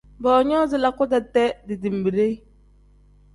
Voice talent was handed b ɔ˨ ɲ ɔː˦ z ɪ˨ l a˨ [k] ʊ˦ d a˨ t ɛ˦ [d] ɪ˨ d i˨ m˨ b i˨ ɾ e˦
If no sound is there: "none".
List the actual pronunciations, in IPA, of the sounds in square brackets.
k, d

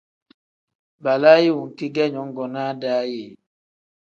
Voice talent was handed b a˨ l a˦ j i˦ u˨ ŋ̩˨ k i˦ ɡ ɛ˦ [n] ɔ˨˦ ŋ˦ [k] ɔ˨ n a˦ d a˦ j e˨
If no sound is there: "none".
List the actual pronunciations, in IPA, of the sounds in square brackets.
ɲ, ɡ

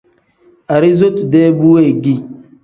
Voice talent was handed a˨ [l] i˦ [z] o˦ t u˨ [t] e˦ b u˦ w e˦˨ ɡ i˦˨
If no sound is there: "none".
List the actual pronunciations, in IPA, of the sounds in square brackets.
ɾ, z, d

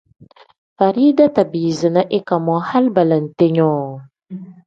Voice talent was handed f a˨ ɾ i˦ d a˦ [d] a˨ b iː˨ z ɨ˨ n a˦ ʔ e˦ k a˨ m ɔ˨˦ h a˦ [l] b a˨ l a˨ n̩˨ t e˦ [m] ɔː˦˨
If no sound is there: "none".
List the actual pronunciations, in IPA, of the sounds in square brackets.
t, l, ɲ

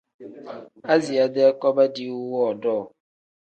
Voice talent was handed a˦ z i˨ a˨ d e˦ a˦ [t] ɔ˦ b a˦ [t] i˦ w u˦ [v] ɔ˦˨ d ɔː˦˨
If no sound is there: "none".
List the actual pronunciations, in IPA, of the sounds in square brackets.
k, d, w

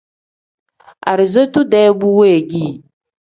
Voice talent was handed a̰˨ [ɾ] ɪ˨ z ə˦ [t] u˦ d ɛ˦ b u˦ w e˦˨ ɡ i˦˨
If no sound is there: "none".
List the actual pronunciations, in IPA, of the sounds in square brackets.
ɾ, t

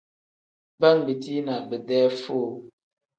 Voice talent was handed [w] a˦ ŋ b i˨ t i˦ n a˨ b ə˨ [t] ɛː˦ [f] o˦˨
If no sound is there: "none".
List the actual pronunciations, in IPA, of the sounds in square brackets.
b, d, f

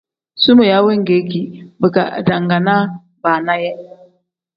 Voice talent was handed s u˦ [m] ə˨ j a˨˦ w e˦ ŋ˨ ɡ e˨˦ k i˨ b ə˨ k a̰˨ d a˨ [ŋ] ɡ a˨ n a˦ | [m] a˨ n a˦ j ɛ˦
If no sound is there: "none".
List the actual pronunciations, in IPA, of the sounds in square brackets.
m, ŋ, b

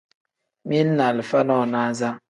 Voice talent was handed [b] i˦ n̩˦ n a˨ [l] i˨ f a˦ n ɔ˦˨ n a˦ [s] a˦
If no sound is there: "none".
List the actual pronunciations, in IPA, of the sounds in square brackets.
m, l, z

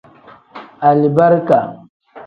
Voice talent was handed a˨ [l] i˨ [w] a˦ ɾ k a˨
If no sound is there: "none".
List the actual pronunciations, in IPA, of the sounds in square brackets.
l, b

